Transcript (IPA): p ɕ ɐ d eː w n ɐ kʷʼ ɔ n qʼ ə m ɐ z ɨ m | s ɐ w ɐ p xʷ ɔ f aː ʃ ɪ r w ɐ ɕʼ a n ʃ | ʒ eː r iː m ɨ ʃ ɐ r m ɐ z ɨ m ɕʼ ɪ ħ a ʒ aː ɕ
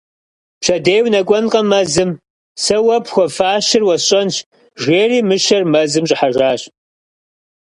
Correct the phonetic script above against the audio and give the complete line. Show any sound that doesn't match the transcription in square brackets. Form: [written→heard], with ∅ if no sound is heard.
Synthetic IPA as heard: p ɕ ɐ d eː w n ɐ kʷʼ ɔ n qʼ [ə→ɐ] m ɐ z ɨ m | s ɐ w ɐ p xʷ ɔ f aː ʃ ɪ r w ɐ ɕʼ [a→ɐ] n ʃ | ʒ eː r iː m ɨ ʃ ɐ r m ɐ z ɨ m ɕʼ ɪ ħ a ʒ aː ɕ